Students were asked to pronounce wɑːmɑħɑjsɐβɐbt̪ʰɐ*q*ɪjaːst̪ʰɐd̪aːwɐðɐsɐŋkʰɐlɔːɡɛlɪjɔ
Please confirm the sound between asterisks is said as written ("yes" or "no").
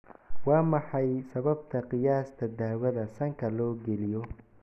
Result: yes